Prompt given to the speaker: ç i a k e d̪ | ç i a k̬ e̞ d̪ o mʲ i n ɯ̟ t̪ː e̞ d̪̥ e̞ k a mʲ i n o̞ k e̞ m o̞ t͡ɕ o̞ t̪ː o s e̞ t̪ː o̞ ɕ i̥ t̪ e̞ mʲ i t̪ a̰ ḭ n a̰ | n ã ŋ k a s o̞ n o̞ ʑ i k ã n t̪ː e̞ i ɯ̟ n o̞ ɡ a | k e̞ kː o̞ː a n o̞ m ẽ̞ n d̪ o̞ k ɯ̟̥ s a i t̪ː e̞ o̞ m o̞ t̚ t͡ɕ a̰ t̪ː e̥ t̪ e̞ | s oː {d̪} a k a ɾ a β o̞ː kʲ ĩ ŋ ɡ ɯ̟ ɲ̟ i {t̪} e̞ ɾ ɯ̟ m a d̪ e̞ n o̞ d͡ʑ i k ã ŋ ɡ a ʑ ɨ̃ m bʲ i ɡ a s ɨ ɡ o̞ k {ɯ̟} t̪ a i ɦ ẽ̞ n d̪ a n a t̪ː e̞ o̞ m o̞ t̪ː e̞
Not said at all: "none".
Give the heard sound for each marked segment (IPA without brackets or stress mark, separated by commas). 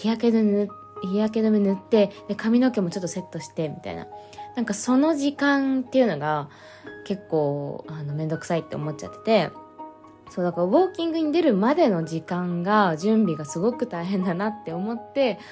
d̪, d̪, ɯ̟